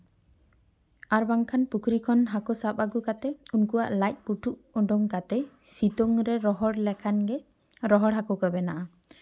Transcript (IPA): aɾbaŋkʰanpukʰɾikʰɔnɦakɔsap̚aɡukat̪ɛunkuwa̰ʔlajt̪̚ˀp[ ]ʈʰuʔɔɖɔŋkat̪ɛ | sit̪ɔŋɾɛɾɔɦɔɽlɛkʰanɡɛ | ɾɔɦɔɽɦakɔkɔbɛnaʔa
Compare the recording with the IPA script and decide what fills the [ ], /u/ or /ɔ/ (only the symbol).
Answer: u